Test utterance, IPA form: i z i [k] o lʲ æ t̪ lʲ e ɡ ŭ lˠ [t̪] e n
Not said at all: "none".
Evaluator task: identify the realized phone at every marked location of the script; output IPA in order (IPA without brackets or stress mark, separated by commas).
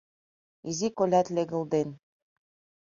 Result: k, d̪